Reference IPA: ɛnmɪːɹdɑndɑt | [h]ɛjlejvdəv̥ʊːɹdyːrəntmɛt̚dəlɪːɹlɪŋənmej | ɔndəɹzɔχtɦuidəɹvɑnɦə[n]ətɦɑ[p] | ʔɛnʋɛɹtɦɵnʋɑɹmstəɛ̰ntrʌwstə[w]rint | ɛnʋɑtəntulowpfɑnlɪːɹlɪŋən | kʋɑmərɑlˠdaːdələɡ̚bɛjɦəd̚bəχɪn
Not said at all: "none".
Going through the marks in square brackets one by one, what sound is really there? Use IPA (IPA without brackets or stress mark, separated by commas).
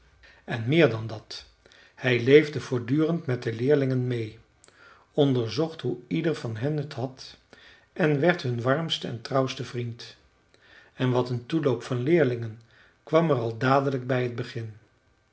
h, n, t, v